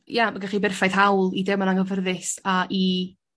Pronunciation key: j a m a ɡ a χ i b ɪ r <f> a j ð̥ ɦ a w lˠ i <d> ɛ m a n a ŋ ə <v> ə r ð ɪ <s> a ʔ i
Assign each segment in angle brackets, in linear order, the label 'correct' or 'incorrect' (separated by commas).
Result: correct, correct, correct, correct